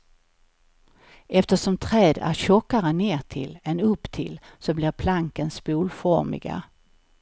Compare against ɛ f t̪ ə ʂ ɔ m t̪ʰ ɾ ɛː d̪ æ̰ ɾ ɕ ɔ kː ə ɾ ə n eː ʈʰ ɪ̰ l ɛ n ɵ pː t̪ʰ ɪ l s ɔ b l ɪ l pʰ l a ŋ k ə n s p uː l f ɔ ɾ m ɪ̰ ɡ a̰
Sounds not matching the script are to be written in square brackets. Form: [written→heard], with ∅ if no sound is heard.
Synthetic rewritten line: ɛ f t̪ ə ʂ ɔ m t̪ʰ ɾ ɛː d̪ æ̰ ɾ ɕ ɔ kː [ə→a] ɾ ə n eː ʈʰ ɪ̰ l ɛ n ɵ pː t̪ʰ ɪ l s ɔ b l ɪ [l→ɾ] pʰ l a ŋ k ə n s p uː l f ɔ ɾ m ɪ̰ ɡ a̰

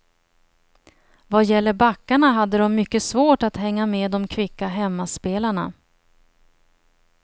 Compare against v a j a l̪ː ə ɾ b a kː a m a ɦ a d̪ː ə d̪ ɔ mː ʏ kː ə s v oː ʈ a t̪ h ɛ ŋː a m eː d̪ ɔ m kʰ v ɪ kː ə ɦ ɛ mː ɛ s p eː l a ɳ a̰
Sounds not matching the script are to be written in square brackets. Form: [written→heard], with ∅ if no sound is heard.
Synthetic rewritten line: v a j [a→ɛ] l̪ː ə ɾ b a kː a [m→ɳ] a ɦ a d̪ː ə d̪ ɔ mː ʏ kː ə s v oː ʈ a t̪ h ɛ ŋː a m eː d̪ ɔ m kʰ v ɪ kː [ə→a] ɦ ɛ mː [ɛ→a] s p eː l a ɳ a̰

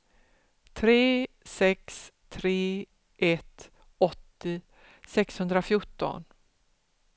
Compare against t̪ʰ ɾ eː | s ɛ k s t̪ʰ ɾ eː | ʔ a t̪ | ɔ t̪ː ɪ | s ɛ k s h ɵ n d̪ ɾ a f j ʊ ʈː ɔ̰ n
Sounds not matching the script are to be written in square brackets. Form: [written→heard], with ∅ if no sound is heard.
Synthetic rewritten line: t̪ʰ ɾ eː | s ɛ k s t̪ʰ ɾ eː | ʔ [a→ɛ] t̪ | ɔ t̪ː ɪ | s ɛ k s h ɵ n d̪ ɾ a f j ʊ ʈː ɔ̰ n

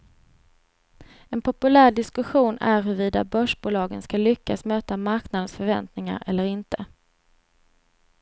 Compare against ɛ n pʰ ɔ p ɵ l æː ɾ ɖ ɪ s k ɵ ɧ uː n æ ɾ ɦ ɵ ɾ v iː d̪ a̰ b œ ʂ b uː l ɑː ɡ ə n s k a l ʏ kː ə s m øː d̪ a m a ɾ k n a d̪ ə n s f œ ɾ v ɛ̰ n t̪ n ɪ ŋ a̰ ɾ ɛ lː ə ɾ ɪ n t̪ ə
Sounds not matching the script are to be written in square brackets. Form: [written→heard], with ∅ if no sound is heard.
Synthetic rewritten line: ɛ n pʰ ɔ p ɵ l æː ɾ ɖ ɪ s k ɵ ɧ uː n æ ɾ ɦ ɵ ɾ v iː d̪ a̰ b œ ʂ b uː l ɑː ɡ ə n s k a l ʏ kː [ə→a] s m øː [d̪→t̪] a m a ɾ k n a d̪ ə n s f œ ɾ v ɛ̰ n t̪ n ɪ ŋ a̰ ɾ ɛ lː ə ɾ ɪ n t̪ ə

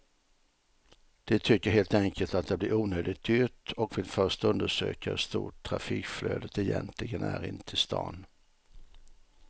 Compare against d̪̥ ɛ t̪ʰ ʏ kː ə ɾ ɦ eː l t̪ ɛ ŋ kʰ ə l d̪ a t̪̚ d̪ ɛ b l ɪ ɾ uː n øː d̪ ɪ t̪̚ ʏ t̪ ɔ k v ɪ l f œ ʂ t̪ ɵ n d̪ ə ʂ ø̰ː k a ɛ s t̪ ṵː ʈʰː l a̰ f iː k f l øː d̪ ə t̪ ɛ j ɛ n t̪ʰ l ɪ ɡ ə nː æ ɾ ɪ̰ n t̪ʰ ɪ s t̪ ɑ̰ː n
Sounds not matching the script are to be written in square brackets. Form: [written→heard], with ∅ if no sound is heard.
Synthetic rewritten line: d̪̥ ɛ t̪ʰ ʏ kː ə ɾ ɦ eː l t̪ ɛ ŋ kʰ ə l [d̪→t̪] a t̪̚ d̪ ɛ b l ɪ ɾ uː n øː d̪ ɪ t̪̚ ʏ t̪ ɔ k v ɪ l f œ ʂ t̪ ɵ n d̪ ə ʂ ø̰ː k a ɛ s t̪ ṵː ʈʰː [l→ɾ] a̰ f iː k f l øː d̪ ə t̪ ɛ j ɛ n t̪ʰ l ɪ ɡ ə [nː→n] æ ɾ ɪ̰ n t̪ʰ ɪ s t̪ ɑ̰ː n

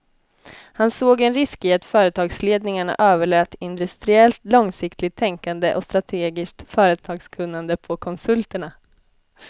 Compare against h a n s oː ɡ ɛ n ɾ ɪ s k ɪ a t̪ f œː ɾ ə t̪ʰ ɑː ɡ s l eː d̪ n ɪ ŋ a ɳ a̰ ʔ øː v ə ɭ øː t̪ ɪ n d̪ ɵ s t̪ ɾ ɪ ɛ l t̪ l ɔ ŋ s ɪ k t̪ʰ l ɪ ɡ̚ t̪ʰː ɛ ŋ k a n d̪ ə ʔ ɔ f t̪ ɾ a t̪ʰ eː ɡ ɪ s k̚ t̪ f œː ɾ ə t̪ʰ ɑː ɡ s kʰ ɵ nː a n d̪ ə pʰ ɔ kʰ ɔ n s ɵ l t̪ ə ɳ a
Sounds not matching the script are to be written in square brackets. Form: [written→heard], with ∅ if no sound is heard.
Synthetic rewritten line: h a n s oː ɡ ɛ n ɾ ɪ s k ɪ a t̪ f œː ɾ ə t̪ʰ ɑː ɡ s l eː d̪ n ɪ ŋ a ɳ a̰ ʔ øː v ə ɭ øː t̪ ɪ n d̪ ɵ s t̪ ɾ ɪ ɛ l t̪ l ɔ ŋ s ɪ k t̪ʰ l ɪ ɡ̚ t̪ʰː ɛ ŋ k a n d̪ ə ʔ ɔ [f→s] t̪ ɾ a t̪ʰ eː ɡ ɪ s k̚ t̪ f œː ɾ ə t̪ʰ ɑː ɡ s kʰ ɵ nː a n d̪ ə pʰ ɔ kʰ ɔ n s ɵ l t̪ ə ɳ a

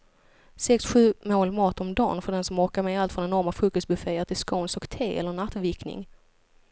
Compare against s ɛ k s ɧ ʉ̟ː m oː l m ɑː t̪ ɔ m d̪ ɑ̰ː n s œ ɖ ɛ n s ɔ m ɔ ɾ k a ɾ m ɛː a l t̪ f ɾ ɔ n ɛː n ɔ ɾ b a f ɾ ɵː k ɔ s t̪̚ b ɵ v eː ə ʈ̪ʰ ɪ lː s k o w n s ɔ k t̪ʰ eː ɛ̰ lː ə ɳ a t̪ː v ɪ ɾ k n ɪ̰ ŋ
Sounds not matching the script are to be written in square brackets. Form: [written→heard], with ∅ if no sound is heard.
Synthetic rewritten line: s ɛ k s ɧ ʉ̟ː m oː l m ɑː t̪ ɔ m d̪ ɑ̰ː n [s→f] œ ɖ ɛ n s ɔ m ɔ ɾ k a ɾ m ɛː a l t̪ f ɾ ɔ n [ɛː→ɛ] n ɔ ɾ [b→m] a f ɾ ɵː k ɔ s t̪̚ b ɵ [v→f] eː ə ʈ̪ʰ ɪ [lː→l] s k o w n s ɔ k t̪ʰ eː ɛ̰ lː ə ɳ a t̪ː v ɪ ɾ k n ɪ̰ ŋ

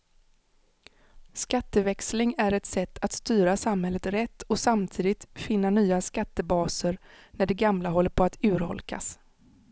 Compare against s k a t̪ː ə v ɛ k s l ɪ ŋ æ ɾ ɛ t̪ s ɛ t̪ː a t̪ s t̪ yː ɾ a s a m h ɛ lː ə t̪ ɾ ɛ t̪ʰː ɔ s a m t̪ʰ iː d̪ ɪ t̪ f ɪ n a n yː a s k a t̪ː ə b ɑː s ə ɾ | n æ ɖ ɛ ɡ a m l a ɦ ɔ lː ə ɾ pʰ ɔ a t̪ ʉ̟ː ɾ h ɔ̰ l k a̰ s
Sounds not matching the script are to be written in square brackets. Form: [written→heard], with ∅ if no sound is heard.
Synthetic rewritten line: s k a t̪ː ə v ɛ k s l ɪ ŋ æ ɾ ɛ t̪ s ɛ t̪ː a t̪ s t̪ yː ɾ a s a m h ɛ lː ə t̪ ɾ ɛ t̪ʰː ɔ s a m t̪ʰ iː d̪ ɪ t̪ f ɪ [n→nː] a n yː a s k a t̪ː ə b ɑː s ə ɾ | n æ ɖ ɛ ɡ a m l a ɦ ɔ lː ə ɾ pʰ ɔ a t̪ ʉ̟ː ɾ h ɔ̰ l k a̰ s

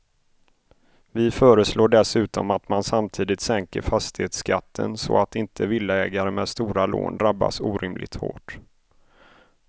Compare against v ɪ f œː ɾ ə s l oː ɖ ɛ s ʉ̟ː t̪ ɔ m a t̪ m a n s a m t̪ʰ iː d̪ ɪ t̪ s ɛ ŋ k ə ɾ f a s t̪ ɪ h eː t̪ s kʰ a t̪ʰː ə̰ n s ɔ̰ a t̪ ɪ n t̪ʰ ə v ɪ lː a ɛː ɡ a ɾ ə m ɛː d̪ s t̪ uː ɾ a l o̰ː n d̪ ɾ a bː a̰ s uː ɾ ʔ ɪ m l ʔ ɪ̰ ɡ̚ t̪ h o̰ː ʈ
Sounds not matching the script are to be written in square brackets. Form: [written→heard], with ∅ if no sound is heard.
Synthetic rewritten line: v ɪ f œː ɾ ə s l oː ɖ ɛ s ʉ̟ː t̪ ɔ m a t̪ m a n s a m t̪ʰ iː d̪ ɪ t̪ s ɛ ŋ k ə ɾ f a s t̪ ɪ h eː t̪ s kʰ a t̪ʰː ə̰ n s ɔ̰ a t̪ ɪ n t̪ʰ ə v ɪ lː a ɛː ɡ a ɾ ə m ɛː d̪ s t̪ uː ɾ a l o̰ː n d̪ ɾ a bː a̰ s uː ɾ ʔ ɪ m l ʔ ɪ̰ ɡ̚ t̪ h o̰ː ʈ

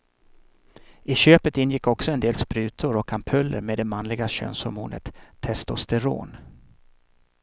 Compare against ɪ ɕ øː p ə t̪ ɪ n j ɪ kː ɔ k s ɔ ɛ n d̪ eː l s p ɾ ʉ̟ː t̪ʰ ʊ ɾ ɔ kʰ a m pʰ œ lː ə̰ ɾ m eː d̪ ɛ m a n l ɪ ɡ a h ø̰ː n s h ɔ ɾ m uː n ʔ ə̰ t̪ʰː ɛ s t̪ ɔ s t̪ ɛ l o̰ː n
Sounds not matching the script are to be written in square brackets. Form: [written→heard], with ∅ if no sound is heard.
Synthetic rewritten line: ɪ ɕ øː p ə t̪ ɪ n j ɪ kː ɔ k s ɔ ɛ n d̪ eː l s p ɾ ʉ̟ː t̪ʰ ʊ ɾ ɔ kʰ a m pʰ œ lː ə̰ ɾ m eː d̪ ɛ m a n l ɪ ɡ a [h→ɕ] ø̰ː n s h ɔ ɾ m uː n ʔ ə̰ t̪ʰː ɛ s t̪ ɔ s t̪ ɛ [l→ɾ] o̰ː n

